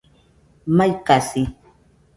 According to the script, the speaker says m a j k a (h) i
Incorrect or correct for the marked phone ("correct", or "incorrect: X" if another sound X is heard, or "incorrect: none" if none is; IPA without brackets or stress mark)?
incorrect: s